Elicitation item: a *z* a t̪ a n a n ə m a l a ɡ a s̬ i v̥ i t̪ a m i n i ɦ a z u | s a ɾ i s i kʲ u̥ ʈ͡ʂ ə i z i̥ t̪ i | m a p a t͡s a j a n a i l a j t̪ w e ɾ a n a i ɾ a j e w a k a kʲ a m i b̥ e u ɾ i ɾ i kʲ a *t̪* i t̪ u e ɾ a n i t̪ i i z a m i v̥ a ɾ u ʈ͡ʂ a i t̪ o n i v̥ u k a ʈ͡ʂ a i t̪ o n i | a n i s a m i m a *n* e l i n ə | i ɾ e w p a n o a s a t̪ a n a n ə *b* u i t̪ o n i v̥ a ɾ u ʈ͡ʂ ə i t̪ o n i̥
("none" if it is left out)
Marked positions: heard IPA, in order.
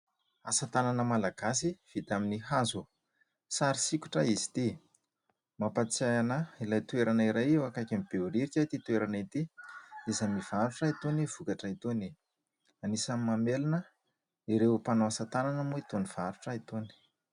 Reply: s, t̪, m, m

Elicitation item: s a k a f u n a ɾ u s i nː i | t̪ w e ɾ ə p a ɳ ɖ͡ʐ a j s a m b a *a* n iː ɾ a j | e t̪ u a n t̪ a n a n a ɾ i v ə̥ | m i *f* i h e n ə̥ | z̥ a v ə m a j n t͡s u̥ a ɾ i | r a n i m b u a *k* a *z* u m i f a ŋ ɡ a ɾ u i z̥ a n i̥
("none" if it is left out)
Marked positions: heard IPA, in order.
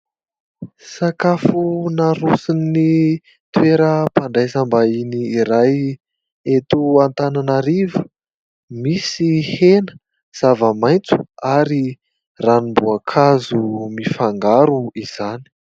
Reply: i, s, kʰ, z

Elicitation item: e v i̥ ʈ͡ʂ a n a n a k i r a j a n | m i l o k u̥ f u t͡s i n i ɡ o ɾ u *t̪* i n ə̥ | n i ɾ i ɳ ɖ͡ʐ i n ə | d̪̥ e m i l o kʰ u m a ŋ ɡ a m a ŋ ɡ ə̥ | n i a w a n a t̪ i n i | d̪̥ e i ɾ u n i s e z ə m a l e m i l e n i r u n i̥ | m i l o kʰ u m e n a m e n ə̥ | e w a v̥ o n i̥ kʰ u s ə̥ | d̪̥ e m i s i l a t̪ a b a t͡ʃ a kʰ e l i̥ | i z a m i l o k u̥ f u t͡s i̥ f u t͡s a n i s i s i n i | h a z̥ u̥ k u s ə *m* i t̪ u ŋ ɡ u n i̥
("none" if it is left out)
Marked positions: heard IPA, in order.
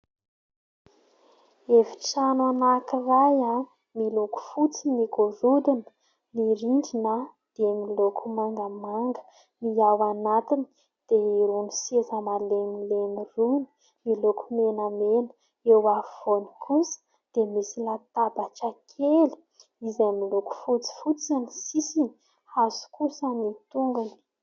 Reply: d̪, n

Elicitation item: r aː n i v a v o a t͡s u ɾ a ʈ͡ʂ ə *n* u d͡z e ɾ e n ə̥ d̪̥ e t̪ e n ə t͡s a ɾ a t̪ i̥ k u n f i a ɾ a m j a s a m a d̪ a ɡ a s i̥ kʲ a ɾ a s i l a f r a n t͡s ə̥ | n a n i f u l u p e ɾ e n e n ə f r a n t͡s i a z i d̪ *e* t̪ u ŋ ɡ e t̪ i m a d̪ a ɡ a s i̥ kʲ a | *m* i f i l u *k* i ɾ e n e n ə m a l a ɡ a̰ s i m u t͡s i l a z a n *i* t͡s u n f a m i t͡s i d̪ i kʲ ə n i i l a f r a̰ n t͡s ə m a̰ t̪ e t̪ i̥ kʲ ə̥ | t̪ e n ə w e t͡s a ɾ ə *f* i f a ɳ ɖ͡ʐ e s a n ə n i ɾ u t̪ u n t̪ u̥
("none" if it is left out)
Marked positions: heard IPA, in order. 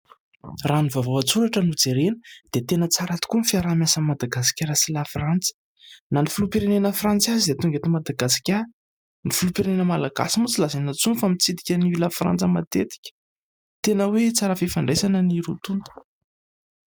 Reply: n, e, n, p, a, f

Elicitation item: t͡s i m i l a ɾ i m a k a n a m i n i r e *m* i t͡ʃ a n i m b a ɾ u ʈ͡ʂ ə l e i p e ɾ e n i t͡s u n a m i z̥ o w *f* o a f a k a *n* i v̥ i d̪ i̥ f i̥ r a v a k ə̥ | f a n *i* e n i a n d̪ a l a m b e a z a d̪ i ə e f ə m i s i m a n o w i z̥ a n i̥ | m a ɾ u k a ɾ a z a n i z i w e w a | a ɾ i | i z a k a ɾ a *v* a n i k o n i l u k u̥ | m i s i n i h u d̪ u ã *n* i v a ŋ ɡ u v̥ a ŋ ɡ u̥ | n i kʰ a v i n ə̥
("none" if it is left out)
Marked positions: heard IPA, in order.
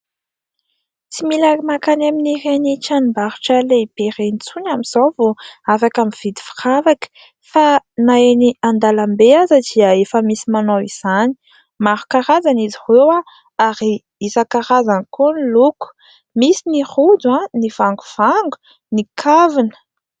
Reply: n, v, m, a, z, n

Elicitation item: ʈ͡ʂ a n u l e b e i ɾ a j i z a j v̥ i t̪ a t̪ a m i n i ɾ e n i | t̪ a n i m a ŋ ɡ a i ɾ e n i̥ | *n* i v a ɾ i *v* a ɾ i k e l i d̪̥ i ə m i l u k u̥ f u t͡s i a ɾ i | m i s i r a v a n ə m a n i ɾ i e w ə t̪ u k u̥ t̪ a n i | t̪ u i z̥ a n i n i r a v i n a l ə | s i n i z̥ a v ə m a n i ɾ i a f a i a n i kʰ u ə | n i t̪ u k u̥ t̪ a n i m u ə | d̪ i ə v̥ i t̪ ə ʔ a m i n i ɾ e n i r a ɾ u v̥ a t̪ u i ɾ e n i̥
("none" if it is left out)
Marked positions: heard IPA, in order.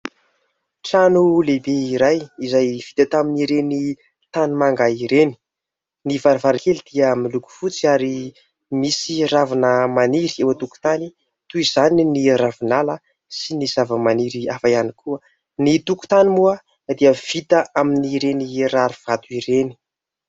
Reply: n, v

